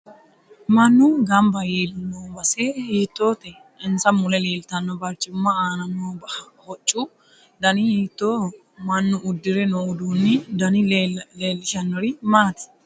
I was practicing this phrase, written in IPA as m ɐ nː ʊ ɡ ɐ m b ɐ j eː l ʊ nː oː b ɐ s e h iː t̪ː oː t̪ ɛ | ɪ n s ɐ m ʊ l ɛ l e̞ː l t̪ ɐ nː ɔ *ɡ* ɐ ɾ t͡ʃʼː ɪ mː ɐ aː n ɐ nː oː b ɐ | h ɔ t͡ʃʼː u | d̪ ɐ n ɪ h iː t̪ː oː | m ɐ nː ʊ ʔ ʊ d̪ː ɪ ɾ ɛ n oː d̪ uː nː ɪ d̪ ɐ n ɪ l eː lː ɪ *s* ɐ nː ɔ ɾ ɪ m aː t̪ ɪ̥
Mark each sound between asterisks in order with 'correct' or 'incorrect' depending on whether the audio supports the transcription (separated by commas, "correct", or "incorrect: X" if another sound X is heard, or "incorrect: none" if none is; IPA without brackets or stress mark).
incorrect: b, incorrect: ʃ